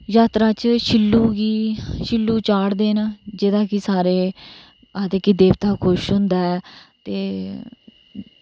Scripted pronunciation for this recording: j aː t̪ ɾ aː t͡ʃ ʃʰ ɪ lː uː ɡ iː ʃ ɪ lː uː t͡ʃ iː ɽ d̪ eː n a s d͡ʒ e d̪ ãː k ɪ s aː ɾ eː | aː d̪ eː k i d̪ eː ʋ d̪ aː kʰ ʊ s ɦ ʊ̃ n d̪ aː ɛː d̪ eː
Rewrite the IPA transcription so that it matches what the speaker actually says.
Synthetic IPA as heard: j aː t̪ ɾ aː t͡ʃ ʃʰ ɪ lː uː ɡ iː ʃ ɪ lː uː t͡ʃ aː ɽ d̪ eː n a d͡ʒ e d̪ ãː k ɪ s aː ɾ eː | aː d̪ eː k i d̪ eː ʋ t̪ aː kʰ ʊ ʃ ɦ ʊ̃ n d̪ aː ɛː t̪ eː